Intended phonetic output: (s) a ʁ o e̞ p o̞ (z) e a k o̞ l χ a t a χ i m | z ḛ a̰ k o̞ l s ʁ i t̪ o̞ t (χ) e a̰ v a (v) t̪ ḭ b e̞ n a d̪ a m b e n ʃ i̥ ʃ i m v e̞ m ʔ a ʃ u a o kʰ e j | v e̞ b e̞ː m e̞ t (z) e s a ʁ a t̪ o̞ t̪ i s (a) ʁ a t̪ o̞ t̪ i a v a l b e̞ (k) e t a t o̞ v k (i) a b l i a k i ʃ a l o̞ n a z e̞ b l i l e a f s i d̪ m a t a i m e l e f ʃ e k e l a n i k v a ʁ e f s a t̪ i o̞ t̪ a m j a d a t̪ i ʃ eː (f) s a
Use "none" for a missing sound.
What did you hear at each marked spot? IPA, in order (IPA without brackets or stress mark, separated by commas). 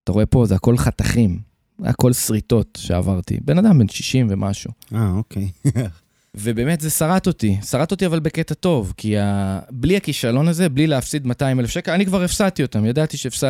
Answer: t, z, ʃ, ʁ, z, a, k, i, f